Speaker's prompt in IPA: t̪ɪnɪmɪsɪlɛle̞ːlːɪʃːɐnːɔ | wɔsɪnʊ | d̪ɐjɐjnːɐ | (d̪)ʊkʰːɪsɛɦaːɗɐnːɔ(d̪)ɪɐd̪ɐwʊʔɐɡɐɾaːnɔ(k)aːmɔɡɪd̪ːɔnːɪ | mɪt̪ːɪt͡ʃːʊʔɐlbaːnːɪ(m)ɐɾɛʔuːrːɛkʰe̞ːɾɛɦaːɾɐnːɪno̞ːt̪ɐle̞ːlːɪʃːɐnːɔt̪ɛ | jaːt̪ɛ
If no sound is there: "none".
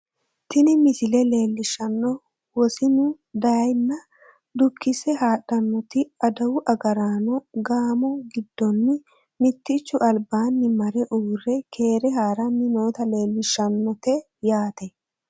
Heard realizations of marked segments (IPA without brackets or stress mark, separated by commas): d̪, t̪, ɡ, m